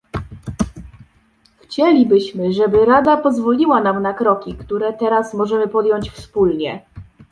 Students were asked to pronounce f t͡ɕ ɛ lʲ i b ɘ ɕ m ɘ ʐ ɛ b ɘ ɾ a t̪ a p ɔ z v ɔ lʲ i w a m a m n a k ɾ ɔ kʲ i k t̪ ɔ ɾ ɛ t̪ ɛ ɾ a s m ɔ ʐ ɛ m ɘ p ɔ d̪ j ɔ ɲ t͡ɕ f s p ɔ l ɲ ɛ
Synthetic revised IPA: x t͡ɕ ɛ lʲ i b ɘ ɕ m ɘ ʐ ɛ b ɘ ɾ a d̪ a p ɔ z v ɔ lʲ i w a n a m n a k ɾ ɔ kʲ i k t̪ u ɾ ɛ t̪ ɛ ɾ a s m ɔ ʐ ɛ m ɘ p ɔ d̪ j ɔ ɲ t͡ɕ f s p u l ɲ ɛ